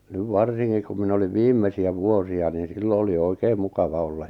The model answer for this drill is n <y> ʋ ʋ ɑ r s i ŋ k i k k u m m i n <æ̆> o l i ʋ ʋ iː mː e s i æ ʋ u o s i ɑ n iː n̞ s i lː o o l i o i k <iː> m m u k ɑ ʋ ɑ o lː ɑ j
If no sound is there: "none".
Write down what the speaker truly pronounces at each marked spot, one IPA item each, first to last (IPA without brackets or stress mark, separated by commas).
y, æ̆, eː